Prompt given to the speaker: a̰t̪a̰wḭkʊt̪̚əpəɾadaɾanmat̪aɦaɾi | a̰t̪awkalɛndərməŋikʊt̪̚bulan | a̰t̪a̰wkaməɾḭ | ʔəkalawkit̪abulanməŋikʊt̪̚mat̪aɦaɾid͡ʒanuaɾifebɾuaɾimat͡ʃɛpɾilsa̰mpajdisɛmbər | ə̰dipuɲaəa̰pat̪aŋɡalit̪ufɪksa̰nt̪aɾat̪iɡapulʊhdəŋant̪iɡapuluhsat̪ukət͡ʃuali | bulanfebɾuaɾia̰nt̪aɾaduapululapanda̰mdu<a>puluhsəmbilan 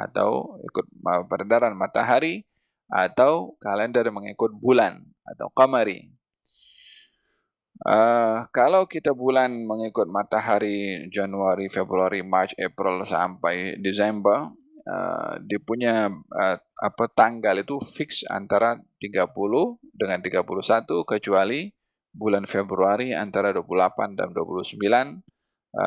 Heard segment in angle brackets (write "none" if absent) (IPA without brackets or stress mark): a